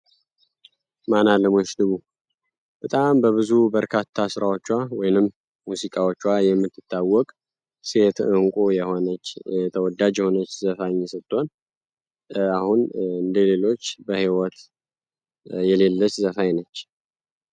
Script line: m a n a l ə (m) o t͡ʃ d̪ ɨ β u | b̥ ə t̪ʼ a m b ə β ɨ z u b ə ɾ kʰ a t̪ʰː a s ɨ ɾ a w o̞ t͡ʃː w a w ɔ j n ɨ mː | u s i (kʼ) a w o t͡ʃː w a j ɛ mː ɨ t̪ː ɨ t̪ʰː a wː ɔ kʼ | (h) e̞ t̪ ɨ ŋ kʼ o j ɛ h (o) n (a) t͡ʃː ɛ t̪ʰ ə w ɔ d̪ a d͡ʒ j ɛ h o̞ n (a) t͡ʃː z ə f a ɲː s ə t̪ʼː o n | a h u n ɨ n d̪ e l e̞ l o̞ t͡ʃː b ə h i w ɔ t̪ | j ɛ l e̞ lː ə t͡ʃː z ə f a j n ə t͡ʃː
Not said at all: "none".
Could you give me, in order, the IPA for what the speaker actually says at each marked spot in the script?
m, kʼ, s, o, ə, ə

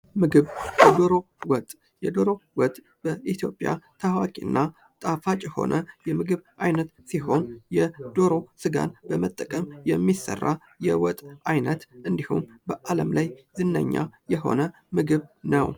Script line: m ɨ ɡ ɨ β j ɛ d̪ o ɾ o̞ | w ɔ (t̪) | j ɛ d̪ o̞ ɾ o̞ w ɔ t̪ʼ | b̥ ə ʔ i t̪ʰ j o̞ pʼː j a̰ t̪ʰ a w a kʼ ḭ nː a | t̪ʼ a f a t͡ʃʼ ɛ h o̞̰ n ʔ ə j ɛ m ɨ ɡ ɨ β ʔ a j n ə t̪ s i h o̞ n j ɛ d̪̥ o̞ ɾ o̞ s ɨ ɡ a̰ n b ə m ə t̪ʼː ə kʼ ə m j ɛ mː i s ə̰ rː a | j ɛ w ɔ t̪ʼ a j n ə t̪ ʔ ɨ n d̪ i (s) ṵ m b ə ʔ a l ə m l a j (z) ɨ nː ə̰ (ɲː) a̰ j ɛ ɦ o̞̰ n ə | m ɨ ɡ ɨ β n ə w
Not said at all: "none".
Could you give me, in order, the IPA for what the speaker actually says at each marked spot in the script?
t̪ʼ, h, z, ɲː

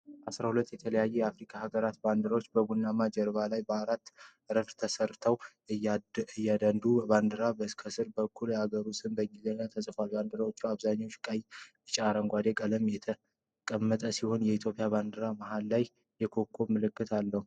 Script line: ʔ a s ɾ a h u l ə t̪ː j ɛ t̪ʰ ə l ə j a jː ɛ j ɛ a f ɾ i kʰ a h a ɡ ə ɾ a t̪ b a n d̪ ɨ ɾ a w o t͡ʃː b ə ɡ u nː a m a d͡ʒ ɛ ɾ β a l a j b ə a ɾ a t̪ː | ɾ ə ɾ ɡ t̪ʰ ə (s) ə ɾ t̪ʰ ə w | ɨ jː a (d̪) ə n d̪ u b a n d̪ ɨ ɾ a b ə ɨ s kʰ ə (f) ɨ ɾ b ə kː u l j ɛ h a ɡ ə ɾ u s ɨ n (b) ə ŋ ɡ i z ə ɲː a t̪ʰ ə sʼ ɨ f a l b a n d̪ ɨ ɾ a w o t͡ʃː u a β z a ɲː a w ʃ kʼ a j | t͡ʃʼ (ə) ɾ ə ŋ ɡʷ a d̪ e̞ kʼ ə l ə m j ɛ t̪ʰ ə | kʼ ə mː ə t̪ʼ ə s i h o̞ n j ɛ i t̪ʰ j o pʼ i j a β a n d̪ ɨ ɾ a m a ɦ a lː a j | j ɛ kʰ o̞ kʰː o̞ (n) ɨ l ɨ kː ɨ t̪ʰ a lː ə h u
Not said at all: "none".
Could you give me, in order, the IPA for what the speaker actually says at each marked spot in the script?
s, d̪, s, b, a, m

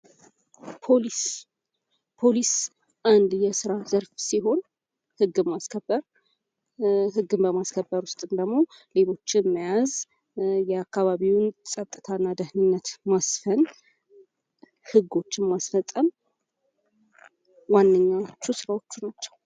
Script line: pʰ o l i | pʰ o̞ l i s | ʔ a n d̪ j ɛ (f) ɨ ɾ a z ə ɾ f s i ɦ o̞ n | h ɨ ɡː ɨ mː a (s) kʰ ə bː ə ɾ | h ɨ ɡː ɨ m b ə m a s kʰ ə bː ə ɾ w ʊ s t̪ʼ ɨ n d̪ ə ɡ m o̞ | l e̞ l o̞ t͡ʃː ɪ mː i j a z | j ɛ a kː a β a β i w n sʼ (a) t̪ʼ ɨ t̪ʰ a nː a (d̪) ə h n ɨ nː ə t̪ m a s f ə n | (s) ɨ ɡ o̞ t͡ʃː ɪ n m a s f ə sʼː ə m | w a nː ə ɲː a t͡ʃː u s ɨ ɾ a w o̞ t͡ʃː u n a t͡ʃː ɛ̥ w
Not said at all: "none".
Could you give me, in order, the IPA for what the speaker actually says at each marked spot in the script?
s, s, ə, d̪, h

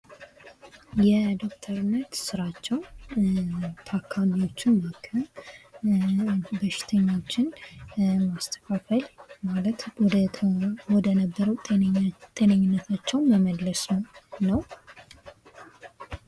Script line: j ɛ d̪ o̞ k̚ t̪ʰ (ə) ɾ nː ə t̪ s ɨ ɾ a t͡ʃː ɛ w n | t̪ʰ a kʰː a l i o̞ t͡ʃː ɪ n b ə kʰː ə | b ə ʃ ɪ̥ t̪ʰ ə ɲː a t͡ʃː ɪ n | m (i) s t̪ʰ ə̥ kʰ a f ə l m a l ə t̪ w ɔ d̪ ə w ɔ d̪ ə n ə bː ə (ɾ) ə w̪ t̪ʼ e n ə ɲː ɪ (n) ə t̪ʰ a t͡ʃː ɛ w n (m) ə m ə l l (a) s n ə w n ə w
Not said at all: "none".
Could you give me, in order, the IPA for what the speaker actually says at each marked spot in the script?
ə, a, ɾ, nː, m, ə

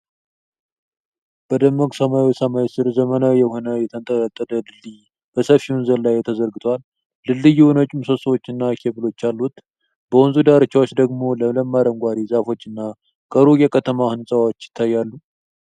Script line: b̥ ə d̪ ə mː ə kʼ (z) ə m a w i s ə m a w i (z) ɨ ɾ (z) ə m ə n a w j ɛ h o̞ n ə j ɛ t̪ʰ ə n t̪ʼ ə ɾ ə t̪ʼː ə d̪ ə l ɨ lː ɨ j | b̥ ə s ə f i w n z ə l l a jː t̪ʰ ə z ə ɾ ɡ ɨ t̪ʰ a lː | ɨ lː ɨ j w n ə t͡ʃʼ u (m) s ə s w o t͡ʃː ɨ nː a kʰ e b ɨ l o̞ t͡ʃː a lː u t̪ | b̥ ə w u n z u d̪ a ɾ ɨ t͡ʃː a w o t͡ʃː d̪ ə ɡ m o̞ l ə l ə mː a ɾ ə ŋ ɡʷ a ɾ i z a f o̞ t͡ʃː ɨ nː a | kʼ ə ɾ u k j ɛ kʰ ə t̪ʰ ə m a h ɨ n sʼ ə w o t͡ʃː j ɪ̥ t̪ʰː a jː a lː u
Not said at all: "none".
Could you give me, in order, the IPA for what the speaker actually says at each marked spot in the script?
s, s, z, m

